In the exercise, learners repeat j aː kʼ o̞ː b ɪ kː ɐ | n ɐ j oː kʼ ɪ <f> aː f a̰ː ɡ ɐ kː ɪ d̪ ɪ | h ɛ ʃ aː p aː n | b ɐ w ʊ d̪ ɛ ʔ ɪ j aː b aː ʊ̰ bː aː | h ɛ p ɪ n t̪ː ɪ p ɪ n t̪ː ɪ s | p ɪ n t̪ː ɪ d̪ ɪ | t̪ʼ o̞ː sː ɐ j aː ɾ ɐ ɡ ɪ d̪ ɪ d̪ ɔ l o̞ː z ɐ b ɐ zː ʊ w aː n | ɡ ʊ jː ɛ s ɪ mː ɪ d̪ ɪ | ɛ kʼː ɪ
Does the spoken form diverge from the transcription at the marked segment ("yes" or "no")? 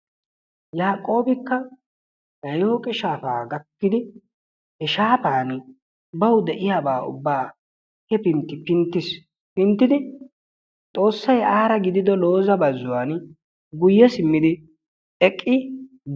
yes